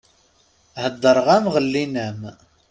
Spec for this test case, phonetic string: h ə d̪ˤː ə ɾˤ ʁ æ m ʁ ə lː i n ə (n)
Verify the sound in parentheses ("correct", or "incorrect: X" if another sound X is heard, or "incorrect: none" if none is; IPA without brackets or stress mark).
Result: incorrect: m